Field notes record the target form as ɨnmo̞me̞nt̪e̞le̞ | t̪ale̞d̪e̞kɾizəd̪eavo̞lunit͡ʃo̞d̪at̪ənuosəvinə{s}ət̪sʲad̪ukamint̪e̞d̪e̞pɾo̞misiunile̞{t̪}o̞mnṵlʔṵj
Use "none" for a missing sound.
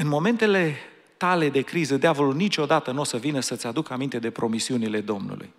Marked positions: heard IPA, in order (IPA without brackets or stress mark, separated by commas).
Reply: s, d̪